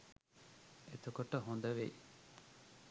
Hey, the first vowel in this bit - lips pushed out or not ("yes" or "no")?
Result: no